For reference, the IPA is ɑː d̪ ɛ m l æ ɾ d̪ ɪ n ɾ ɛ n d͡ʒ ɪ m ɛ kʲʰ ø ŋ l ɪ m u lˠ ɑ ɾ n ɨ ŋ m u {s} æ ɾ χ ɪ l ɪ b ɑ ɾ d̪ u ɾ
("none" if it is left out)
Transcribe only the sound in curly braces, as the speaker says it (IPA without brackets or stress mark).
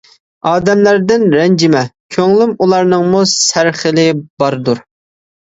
s